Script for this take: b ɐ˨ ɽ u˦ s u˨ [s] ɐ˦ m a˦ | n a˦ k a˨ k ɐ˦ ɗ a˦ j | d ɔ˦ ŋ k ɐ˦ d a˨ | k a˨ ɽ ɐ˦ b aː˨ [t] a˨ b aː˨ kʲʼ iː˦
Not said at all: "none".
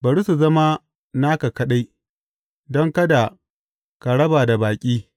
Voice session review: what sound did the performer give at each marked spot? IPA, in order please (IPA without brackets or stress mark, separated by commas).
z, d